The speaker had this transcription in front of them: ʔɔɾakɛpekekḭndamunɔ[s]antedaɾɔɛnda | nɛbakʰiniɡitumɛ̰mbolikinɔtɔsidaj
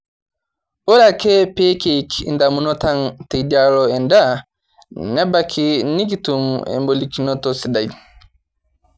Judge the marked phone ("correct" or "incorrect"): incorrect